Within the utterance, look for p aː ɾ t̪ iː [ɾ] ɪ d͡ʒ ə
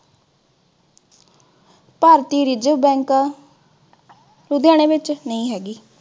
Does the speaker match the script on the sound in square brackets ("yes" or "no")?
yes